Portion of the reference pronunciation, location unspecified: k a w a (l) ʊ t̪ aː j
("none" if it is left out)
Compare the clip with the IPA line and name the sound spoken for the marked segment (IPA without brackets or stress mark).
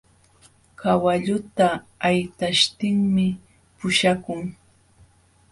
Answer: ʎ